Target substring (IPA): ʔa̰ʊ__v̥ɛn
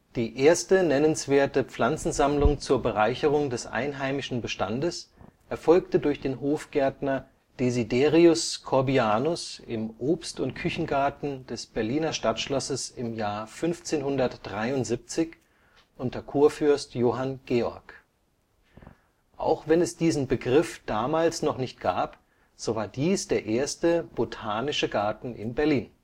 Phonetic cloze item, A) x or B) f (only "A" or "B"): A